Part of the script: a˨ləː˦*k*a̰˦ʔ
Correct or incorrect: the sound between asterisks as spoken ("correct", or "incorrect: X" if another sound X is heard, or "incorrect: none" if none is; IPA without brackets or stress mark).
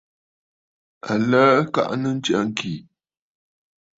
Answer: correct